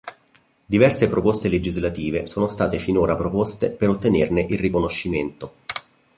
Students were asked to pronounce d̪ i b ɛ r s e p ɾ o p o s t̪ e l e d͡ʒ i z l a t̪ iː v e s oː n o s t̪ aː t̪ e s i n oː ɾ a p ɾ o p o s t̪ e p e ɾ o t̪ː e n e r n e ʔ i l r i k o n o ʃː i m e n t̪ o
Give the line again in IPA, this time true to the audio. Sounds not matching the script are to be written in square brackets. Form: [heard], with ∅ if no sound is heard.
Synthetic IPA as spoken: d̪ i [v] ɛ r s e p ɾ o p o s t̪ e l e d͡ʒ i z l a t̪ iː v e s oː n o s t̪ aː t̪ e [f] i n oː ɾ a p ɾ o p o s t̪ e p e ɾ o t̪ː e n e r n e ʔ i l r i k o n o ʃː i m e n t̪ o